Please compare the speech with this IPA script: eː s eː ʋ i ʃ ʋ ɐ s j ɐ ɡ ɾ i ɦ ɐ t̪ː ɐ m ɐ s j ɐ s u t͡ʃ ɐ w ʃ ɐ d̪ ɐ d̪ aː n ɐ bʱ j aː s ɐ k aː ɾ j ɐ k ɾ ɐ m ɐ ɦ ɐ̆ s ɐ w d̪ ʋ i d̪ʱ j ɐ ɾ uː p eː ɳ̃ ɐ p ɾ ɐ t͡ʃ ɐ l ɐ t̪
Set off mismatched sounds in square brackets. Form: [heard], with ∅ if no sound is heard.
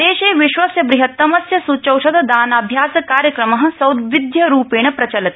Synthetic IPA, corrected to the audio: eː [ʃ] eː ʋ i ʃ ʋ ɐ s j ɐ [b] ɾ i ɦ ɐ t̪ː ɐ m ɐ s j ɐ s u t͡ʃ ɐ w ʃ ɐ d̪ ɐ d̪ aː n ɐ bʱ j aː s ɐ k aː ɾ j ɐ k ɾ ɐ m ɐ ɦ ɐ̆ s ɐ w d̪ ʋ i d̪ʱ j ɐ ɾ uː p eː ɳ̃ ɐ p ɾ ɐ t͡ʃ ɐ l ɐ t̪